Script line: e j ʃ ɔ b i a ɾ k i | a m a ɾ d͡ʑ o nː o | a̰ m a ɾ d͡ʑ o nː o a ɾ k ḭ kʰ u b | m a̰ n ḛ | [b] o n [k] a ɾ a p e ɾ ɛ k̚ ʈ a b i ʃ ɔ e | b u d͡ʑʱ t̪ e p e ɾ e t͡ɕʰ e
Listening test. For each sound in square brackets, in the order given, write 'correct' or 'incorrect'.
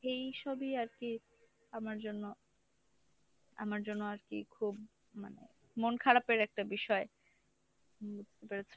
incorrect, incorrect

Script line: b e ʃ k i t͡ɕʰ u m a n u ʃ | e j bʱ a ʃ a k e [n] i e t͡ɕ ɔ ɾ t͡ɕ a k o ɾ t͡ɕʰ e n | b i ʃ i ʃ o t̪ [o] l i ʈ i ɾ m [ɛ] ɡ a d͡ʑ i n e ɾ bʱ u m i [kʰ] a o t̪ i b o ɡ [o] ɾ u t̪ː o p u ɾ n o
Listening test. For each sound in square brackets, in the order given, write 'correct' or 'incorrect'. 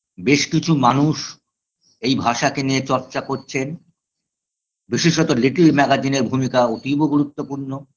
correct, correct, correct, incorrect, incorrect

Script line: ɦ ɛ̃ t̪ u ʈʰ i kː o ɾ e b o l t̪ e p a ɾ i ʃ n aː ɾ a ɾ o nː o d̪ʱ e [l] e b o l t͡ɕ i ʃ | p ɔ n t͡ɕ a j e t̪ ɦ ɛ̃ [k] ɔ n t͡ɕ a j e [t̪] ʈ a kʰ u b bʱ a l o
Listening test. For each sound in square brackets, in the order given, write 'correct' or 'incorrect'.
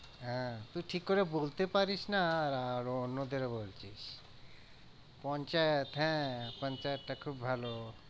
incorrect, incorrect, correct

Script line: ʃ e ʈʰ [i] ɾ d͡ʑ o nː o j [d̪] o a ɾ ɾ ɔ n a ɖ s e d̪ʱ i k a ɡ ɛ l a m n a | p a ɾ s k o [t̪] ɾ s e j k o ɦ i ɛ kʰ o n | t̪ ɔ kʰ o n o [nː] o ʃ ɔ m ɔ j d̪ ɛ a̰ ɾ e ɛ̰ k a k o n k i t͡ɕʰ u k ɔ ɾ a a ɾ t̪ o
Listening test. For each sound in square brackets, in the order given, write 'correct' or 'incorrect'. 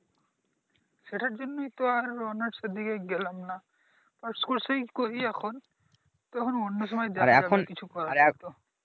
incorrect, incorrect, incorrect, correct

